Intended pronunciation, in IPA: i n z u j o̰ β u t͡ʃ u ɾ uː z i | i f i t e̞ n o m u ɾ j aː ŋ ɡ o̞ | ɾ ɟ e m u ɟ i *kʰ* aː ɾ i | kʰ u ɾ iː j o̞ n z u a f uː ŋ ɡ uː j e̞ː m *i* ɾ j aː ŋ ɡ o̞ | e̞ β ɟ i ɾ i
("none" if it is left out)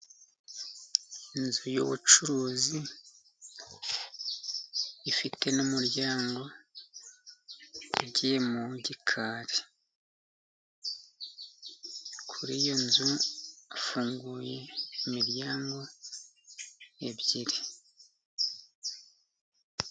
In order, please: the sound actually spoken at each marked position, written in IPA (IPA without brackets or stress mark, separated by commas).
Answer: kʰ, i